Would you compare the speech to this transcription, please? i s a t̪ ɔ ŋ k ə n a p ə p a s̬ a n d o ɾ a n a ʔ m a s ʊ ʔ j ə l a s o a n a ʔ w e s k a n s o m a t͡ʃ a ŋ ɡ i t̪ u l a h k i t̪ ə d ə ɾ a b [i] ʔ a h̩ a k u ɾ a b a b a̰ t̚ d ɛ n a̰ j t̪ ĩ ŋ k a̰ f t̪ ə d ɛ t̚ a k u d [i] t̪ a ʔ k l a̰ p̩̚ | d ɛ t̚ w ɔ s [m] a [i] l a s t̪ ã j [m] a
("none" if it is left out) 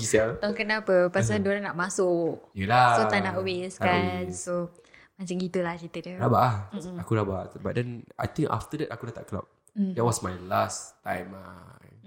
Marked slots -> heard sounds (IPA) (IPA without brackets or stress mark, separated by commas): a, a, m, j, m